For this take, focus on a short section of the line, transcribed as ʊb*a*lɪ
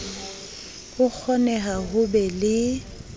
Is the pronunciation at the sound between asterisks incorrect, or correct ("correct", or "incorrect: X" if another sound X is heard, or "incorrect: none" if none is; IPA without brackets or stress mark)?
incorrect: ɛ